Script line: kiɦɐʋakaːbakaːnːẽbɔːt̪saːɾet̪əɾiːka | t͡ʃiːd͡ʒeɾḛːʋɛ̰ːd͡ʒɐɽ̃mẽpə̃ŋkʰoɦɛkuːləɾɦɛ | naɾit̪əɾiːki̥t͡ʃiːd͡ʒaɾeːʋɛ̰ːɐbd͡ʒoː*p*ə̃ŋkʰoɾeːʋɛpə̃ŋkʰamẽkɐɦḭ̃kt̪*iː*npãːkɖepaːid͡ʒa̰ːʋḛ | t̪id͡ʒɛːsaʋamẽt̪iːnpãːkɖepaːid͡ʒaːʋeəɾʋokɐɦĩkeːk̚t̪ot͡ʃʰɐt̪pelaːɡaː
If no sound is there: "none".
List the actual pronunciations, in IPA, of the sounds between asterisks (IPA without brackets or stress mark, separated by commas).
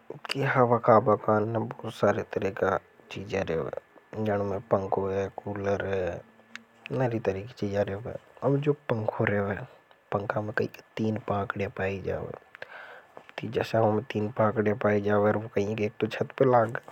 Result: p, iː